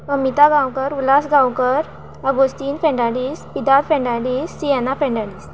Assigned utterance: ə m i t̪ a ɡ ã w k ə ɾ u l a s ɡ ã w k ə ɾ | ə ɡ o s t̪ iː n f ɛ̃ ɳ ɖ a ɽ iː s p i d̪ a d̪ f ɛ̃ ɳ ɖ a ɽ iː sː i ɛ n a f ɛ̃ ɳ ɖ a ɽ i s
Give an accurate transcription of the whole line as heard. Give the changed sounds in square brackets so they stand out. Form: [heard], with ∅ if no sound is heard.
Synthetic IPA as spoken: ə m i t̪ a ɡ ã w k ə ɾ u l a s ɡ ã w k ə ɾ | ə ɡ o s t̪ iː n f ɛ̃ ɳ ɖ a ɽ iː s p i d̪ a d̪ f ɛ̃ ɳ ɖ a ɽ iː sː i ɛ n a f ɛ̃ ɳ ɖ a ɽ i s